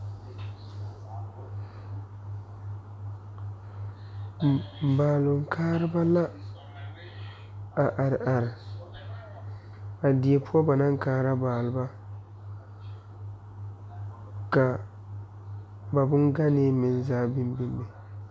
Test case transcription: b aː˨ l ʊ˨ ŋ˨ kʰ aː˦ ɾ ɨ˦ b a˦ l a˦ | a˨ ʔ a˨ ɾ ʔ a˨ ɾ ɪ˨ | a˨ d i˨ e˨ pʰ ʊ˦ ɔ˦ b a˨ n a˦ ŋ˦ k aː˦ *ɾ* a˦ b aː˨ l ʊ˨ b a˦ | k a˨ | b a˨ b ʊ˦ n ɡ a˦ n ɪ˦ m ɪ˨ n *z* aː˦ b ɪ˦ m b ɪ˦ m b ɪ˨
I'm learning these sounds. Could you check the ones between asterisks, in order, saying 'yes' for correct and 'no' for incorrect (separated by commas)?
yes, yes